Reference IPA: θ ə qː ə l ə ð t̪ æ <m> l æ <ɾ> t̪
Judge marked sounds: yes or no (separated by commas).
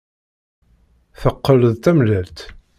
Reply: yes, no